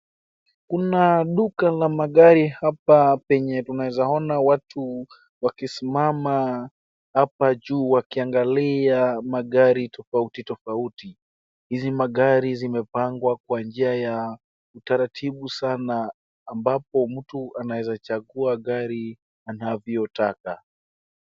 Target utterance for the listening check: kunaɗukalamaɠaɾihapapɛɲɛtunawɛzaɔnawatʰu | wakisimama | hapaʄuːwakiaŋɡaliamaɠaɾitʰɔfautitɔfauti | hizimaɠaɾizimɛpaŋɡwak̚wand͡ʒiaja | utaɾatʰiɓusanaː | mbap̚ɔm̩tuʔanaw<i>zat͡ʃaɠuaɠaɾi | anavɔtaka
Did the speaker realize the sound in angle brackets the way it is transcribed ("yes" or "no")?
no